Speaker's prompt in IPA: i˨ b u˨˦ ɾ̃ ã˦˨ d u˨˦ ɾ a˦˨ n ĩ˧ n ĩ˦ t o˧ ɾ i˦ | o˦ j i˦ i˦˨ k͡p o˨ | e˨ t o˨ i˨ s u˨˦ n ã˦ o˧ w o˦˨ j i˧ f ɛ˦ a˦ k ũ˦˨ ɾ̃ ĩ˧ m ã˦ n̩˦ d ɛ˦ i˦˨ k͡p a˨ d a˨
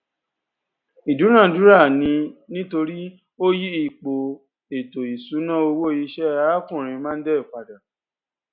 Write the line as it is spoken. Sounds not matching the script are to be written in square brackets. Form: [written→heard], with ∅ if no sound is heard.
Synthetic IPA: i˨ [b→d] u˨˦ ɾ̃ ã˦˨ d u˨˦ ɾ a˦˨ n ĩ˧ n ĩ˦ t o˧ ɾ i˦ | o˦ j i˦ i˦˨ k͡p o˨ | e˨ t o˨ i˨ s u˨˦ n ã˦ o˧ w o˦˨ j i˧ [f→ʃ] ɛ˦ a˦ k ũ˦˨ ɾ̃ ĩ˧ m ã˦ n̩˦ d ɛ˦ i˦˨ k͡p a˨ d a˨